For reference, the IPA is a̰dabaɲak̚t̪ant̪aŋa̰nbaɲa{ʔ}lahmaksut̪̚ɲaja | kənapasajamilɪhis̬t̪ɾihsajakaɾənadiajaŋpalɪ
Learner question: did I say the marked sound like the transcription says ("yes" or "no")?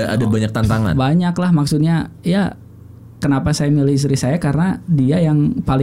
no